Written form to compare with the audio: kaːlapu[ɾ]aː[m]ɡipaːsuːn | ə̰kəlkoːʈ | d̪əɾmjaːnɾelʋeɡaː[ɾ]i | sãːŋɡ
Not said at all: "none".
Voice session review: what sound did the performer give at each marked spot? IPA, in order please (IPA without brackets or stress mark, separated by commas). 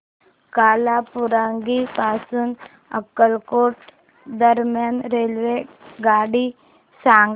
ɾ, ŋ, ɽ